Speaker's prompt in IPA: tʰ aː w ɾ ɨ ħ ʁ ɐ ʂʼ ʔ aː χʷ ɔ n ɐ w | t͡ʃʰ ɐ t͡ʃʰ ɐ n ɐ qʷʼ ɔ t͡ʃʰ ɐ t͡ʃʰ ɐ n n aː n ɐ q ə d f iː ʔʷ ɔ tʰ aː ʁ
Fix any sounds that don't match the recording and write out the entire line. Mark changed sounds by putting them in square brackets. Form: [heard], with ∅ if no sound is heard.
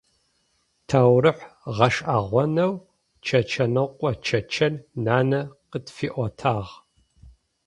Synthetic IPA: tʰ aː w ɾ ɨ ħ ʁ ɐ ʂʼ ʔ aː [ʁʷ] ɔ n ɐ w | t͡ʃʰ ɐ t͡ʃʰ ɐ n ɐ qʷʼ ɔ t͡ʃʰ ɐ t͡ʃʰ ɐ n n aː n ɐ q ə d f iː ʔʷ ɔ tʰ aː ʁ

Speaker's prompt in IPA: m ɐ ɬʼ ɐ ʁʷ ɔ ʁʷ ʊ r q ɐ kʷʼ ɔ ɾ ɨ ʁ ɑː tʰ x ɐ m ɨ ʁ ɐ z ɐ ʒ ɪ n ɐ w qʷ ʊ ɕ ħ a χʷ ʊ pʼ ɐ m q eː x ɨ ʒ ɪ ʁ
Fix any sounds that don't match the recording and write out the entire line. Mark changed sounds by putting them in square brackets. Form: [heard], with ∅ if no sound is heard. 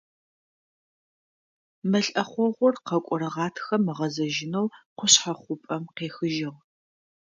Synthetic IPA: m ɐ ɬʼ ɐ [χʷ] ɔ ʁʷ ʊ r q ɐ kʷʼ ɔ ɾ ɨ ʁ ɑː tʰ x ɐ m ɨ ʁ ɐ z ɐ ʒ ɪ n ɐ w qʷ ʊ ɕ ħ a χʷ ʊ pʼ ɐ m q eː x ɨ ʒ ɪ ʁ

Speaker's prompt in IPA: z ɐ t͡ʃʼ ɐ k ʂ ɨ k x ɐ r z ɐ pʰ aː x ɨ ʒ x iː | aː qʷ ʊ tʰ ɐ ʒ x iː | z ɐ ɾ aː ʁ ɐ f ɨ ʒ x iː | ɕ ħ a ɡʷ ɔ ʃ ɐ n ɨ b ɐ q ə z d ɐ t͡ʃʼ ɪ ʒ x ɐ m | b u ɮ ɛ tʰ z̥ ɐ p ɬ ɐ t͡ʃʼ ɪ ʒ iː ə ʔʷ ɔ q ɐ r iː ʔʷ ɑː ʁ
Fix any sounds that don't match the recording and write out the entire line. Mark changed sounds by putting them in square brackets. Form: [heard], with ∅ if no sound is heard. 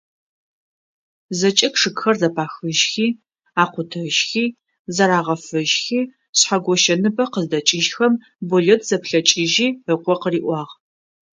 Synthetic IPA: z ɐ t͡ʃʼ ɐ k ʂ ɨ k x ɐ r z ɐ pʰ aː x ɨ ʒ x iː | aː qʷ ʊ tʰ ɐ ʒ x iː | z ɐ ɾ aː ʁ ɐ f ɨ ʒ x iː | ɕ ħ a ɡʷ ɔ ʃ ɐ n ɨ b ɐ q ə z d ɐ t͡ʃʼ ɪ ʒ x ɐ m | b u ɮ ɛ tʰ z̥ ɐ p ɬ ɐ t͡ʃʼ ɪ ʒ iː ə [qʷ] ɔ q [ə] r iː ʔʷ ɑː ʁ

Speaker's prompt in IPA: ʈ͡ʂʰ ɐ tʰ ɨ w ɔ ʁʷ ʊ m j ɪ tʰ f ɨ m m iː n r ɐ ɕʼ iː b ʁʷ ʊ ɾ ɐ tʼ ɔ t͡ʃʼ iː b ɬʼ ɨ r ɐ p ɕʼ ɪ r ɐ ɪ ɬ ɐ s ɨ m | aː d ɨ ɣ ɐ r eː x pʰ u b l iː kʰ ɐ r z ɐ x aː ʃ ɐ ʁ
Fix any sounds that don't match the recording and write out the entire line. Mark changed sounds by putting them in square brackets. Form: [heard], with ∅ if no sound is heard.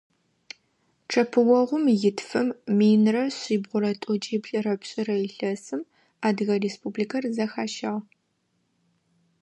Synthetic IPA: ʈ͡ʂʰ ɐ [pʰ] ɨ w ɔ ʁʷ ʊ m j ɪ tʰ f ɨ m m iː n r ɐ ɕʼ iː b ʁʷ ʊ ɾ ɐ tʼ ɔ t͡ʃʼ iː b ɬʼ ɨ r ɐ p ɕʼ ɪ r ɐ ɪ ɬ ɐ s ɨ m | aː d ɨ ɣ ɐ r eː [s] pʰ u b l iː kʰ ɐ r z ɐ x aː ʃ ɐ ʁ

